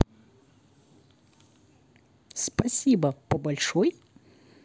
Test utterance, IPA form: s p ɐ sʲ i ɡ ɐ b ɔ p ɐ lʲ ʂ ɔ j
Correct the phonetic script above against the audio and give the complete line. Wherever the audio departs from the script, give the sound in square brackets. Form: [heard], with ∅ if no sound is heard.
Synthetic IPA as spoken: s p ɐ sʲ i [b] ɐ [p] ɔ [b] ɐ lʲ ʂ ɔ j